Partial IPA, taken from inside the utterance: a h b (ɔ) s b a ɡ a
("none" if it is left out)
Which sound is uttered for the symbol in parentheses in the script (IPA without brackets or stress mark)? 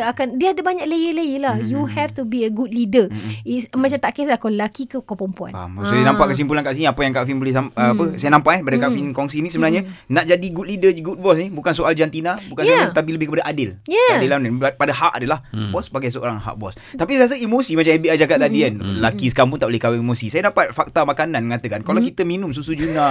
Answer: ɔ